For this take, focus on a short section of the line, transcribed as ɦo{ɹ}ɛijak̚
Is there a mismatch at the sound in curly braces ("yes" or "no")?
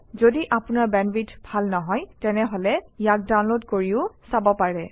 yes